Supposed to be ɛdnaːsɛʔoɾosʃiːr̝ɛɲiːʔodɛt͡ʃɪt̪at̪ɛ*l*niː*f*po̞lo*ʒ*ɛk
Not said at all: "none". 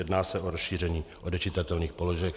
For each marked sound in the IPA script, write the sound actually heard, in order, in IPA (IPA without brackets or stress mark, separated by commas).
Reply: l, x, ʒ